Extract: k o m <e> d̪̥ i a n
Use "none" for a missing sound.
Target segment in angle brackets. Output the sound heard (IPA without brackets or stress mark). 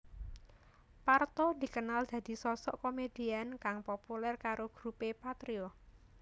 e